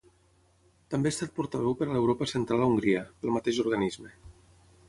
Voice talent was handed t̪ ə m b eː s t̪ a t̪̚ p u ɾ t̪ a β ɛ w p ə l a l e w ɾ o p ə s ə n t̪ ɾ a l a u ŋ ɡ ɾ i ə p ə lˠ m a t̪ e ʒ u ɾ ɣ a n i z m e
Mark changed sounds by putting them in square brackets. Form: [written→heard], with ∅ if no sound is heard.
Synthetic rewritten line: t̪ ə m b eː s t̪ a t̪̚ p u ɾ t̪ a β ɛ w p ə [l→ɾ] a l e w ɾ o p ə s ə n t̪ ɾ a l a u ŋ ɡ ɾ i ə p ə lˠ m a t̪ e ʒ u ɾ ɣ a n i z m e